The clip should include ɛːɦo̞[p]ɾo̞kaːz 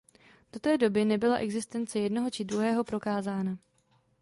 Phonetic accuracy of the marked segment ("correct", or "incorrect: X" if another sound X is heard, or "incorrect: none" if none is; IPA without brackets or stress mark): correct